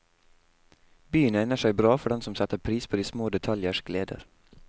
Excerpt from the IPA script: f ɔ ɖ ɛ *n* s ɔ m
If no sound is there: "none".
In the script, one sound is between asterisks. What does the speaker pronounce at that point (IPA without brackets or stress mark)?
n